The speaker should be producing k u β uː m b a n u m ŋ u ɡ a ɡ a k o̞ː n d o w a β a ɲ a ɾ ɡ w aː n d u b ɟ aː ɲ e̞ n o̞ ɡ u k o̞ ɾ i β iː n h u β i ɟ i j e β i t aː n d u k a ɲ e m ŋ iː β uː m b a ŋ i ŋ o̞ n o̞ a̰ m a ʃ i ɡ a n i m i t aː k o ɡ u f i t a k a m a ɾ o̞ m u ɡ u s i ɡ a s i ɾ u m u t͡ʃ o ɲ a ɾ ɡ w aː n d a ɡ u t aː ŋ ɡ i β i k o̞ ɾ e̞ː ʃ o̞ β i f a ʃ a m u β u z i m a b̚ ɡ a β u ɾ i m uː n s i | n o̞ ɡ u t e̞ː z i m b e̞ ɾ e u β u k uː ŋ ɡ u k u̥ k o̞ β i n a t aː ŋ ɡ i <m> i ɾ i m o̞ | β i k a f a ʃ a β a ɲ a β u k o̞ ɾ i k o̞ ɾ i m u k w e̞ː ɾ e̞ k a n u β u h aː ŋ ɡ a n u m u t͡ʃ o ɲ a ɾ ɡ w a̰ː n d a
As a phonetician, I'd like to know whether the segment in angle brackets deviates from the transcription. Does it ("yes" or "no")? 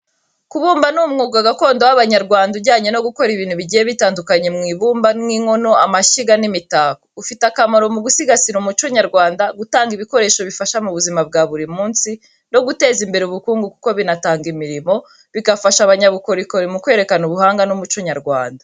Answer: no